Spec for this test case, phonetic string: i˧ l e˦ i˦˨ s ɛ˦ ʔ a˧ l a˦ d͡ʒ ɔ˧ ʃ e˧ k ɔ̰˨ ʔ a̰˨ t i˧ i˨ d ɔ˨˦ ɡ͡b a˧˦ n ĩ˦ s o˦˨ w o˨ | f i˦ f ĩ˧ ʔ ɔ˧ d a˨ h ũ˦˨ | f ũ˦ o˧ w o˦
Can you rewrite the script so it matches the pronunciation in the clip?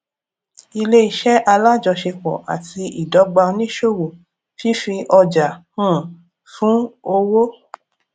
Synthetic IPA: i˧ l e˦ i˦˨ ʃ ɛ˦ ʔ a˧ l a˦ d͡ʒ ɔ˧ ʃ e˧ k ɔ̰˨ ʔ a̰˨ t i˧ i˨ d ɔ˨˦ ɡ͡b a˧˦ n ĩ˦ ʃ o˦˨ w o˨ | f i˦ f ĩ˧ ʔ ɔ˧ d͡ʒ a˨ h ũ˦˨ | f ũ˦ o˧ w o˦

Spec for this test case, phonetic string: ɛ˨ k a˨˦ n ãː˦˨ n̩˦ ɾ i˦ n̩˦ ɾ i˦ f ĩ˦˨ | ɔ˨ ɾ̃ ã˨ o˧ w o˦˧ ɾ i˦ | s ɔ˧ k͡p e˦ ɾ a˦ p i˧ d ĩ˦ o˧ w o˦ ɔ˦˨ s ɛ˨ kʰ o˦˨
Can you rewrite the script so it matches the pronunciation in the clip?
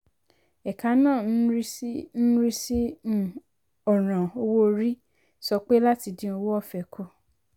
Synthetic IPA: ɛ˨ k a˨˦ n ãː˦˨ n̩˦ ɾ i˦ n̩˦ ɾ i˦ s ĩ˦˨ | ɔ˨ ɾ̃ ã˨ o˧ w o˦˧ ɾ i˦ | s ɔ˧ k͡p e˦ l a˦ t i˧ d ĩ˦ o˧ w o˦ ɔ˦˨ f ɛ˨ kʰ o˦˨

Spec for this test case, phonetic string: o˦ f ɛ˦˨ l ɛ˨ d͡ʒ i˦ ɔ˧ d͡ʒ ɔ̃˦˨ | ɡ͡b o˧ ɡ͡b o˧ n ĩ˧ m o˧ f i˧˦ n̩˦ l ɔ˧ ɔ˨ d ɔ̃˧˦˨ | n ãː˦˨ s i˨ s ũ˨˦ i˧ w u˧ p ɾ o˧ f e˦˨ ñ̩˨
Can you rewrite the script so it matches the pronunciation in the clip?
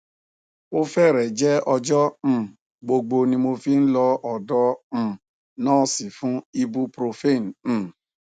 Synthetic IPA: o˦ f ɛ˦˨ ɾ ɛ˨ d͡ʒ ɛ˦ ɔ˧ d͡ʒ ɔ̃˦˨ | ɡ͡b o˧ ɡ͡b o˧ n ĩ˧ m o˧ f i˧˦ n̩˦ l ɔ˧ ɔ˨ d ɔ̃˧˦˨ | n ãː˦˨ s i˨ f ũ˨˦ i˧ b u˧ p ɾ o˧ f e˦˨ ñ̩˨

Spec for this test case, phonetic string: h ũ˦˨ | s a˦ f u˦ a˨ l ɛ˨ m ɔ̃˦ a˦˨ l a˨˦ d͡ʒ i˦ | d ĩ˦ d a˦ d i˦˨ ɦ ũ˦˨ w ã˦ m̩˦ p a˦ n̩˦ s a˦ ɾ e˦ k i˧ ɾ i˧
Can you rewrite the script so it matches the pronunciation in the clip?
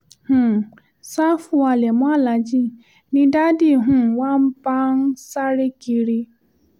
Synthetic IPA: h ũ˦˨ | s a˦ f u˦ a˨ l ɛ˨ m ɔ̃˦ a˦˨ l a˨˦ d͡ʒ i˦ | n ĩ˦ d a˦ d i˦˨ ɦ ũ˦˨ w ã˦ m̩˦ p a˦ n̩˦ s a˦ ɾ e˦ k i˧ ɾ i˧

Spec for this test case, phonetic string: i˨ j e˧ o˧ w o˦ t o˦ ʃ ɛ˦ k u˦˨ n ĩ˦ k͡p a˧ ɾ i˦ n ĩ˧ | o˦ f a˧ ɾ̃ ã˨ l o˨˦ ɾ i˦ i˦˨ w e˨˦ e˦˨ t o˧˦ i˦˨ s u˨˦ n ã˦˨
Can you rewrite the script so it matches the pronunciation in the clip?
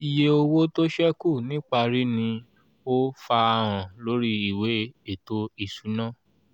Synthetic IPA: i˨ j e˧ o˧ w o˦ t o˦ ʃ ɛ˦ k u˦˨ n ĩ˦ k͡p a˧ ɾ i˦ n ĩ˧ | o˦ f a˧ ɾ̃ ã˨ l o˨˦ ɾ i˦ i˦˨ w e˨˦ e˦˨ t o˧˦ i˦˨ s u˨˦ n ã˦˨

